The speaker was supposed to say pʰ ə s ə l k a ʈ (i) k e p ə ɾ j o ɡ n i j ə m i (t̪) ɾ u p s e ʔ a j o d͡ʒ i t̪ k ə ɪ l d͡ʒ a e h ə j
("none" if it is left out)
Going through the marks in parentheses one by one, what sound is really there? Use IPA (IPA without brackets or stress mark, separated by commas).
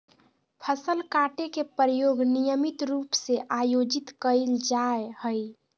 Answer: e, t̪